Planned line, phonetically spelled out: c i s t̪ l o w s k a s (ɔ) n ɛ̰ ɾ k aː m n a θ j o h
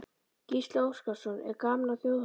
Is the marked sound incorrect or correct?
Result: correct